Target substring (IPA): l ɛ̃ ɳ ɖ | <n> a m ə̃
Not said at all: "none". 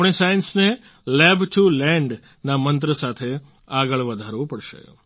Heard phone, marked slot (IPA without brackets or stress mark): n